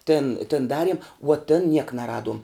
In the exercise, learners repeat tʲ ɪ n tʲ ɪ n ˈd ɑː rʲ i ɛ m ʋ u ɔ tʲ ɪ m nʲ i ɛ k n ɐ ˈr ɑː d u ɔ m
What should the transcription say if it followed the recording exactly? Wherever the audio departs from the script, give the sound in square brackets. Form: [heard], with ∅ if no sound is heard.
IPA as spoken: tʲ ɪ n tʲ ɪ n ˈd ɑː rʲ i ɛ m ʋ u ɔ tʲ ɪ [n] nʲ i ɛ k n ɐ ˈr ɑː d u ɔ m